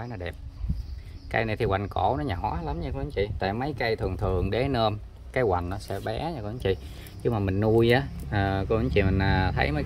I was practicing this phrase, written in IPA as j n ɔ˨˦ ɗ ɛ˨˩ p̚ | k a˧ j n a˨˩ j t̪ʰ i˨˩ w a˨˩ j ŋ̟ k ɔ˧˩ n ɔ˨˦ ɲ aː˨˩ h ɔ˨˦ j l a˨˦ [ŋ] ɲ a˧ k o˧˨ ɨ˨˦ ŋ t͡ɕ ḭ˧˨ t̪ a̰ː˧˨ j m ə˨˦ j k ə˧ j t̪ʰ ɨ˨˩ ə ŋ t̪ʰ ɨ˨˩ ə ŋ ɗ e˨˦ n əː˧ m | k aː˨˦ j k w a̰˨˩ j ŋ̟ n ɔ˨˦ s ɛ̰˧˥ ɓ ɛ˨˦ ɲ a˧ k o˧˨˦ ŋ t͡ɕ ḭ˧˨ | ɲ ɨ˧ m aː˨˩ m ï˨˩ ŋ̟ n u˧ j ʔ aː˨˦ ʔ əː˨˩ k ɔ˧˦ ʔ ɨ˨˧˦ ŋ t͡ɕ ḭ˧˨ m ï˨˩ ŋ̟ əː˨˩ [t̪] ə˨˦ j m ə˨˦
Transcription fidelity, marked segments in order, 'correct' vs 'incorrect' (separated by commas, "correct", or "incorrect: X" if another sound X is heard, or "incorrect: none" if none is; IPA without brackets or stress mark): incorrect: m, incorrect: t̪ʰ